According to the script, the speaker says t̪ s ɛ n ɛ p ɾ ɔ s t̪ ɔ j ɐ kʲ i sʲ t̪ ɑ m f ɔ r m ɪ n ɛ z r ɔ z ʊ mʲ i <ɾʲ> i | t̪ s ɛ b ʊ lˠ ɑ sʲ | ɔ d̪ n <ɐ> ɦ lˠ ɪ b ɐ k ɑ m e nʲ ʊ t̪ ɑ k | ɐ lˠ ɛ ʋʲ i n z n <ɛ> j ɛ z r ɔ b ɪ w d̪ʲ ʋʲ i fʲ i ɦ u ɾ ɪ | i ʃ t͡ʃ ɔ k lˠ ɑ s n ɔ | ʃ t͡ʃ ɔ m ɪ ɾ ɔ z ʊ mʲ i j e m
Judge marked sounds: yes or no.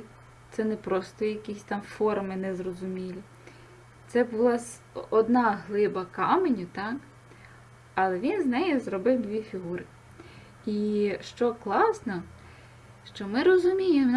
no, no, yes

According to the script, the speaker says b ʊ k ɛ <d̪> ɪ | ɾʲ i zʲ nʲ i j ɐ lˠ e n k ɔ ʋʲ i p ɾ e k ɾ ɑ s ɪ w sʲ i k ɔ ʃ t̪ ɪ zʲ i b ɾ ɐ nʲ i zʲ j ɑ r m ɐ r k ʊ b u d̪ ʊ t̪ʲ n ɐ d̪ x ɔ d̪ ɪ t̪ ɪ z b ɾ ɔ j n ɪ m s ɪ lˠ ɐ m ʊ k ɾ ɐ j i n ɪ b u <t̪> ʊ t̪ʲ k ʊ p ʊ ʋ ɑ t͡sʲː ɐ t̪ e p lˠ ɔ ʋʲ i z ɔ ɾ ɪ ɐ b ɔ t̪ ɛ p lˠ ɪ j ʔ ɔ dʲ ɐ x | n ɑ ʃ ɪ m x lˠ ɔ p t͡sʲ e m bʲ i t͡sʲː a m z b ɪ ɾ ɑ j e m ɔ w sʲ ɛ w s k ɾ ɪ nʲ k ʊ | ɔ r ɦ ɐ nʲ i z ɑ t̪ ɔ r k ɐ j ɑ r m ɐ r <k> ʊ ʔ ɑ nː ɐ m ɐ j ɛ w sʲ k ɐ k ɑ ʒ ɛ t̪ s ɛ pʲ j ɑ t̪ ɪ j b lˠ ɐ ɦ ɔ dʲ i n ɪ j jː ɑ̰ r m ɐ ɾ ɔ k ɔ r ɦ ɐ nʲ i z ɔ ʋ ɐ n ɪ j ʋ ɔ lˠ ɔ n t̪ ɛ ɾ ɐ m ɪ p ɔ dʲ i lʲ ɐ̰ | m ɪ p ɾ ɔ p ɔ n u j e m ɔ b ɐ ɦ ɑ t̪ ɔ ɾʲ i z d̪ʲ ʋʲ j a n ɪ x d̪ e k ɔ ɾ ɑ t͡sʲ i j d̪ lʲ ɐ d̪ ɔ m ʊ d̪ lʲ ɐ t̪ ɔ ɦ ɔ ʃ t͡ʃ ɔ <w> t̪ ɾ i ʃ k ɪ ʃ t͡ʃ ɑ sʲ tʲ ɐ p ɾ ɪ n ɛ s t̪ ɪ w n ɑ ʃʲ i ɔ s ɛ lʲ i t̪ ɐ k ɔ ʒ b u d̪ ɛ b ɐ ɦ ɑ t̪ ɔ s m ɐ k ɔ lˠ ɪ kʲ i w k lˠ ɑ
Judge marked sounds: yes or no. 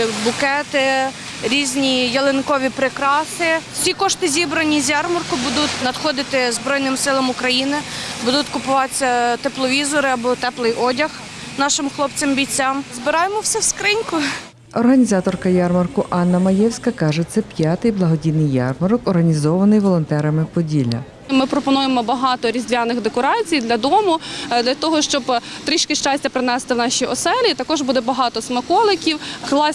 no, no, yes, no

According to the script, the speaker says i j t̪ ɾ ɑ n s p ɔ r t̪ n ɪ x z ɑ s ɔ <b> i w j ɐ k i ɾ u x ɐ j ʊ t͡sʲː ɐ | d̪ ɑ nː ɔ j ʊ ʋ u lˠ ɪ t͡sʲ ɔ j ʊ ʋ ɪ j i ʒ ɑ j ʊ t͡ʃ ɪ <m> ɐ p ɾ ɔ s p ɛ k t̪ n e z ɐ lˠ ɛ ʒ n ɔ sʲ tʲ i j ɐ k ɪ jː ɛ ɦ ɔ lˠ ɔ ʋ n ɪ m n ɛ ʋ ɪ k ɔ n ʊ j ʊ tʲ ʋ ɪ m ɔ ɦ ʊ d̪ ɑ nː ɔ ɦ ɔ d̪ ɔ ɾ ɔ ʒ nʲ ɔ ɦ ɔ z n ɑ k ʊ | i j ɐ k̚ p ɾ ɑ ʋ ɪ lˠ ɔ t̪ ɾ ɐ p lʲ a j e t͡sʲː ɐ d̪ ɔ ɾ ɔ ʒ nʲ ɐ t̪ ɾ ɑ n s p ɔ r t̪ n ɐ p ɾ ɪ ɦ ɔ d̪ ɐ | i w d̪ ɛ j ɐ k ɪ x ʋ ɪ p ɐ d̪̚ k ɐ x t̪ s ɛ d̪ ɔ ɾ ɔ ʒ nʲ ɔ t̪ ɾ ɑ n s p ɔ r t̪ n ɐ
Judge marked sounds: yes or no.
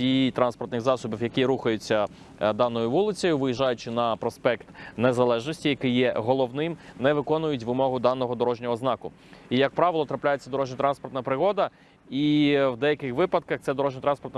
yes, no

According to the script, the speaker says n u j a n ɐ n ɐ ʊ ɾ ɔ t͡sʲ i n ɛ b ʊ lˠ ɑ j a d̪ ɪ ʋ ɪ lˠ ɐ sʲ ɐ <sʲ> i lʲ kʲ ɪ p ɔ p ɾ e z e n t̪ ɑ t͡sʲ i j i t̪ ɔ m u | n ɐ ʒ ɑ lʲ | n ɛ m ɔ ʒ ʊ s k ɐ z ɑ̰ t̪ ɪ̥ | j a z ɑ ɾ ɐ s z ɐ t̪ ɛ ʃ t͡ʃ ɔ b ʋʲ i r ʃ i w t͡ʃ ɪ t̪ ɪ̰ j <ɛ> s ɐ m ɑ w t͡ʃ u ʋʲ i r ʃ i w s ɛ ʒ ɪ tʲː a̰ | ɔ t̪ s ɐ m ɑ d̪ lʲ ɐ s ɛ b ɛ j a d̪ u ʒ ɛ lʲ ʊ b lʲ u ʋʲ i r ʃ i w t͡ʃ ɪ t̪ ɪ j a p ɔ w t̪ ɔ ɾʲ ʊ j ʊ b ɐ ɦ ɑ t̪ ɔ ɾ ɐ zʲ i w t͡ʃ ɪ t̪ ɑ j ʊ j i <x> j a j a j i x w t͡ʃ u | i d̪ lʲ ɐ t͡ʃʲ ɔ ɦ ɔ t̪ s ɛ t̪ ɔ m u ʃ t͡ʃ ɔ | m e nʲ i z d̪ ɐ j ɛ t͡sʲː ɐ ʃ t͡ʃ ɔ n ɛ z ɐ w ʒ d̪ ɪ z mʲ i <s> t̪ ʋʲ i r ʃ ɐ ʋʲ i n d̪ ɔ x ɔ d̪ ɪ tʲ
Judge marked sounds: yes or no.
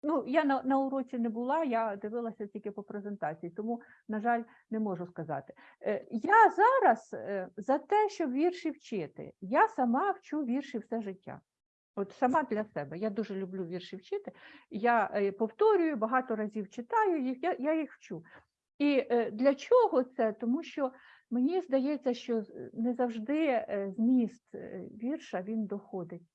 no, no, yes, yes

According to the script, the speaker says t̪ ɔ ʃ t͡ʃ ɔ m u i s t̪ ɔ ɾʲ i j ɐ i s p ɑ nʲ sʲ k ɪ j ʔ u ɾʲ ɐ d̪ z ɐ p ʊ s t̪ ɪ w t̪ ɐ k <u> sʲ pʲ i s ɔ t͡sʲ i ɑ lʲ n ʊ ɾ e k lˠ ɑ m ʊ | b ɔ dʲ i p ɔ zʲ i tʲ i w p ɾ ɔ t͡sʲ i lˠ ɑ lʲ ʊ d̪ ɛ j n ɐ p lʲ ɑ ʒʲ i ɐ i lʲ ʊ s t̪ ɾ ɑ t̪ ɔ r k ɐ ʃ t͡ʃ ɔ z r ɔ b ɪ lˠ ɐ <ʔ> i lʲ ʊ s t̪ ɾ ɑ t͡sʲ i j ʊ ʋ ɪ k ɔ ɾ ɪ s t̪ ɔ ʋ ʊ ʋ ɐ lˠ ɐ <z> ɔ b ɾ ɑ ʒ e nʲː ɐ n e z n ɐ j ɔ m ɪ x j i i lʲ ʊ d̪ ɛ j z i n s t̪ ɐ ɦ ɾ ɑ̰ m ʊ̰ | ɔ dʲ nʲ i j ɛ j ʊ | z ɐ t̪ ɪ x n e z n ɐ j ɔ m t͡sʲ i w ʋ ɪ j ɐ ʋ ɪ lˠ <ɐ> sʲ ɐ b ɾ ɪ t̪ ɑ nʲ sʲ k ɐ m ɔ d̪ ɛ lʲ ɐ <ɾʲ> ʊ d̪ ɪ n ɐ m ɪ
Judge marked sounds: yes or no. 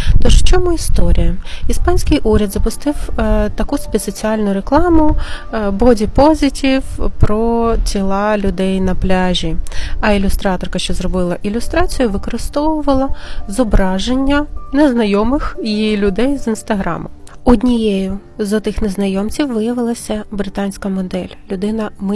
yes, yes, yes, yes, no

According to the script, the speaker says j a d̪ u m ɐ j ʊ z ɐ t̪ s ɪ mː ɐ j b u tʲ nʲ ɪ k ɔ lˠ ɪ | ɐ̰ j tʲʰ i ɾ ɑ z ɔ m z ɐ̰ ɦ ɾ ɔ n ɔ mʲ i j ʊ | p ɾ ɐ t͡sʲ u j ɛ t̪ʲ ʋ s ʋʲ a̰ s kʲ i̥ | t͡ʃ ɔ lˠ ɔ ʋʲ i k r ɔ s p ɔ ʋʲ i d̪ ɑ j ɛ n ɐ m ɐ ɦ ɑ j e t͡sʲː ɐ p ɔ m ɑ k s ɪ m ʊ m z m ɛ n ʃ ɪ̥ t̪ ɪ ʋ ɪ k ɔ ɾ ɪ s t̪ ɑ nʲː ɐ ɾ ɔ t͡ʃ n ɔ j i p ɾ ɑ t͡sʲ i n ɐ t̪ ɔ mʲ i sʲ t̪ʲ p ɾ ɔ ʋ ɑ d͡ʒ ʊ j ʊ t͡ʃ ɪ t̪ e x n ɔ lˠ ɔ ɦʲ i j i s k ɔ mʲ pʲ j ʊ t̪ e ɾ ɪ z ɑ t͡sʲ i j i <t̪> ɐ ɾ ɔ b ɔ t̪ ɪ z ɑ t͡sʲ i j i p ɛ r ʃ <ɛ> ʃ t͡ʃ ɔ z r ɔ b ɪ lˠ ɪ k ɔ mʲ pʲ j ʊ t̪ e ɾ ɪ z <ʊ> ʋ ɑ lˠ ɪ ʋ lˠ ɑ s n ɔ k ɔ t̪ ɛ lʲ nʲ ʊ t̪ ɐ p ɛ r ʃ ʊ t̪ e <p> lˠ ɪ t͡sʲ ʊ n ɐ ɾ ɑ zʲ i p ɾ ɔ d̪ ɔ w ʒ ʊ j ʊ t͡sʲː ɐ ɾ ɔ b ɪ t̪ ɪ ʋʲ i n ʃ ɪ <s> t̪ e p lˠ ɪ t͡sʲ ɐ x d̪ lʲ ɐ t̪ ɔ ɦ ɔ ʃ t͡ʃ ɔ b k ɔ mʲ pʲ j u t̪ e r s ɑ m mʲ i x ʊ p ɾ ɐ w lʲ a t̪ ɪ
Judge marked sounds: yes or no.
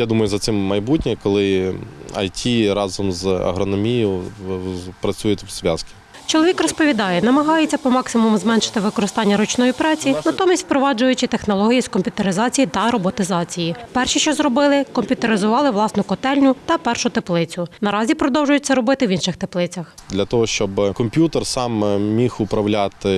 yes, no, yes, yes, no

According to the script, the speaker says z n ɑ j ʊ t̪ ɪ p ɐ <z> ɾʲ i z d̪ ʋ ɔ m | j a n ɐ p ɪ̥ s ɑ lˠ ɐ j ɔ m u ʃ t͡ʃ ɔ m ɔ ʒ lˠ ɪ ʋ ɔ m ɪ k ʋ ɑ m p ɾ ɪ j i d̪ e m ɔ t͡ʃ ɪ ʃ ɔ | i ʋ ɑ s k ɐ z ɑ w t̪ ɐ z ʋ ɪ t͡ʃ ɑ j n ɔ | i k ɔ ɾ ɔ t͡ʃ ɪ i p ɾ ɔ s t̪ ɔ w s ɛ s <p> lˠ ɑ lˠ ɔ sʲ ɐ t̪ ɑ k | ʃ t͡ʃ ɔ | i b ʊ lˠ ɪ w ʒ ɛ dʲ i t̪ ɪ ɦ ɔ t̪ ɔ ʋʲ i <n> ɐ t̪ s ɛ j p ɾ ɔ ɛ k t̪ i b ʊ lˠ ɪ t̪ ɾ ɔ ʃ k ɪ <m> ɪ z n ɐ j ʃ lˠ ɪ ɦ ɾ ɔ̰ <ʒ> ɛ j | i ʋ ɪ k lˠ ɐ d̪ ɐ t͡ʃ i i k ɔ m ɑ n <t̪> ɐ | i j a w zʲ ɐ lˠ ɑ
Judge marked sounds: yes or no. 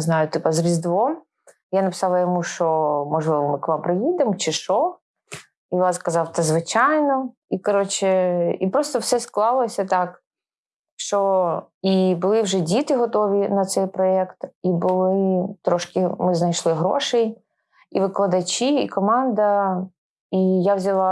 yes, no, yes, yes, no, no

